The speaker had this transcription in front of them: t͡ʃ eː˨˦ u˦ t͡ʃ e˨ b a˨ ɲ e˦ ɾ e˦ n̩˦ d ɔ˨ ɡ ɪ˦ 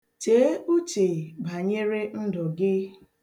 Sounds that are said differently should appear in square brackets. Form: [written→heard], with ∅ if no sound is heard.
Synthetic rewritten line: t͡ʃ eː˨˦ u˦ t͡ʃ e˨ b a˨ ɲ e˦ ɾ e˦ n̩˦ d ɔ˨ ɡ ɪ˦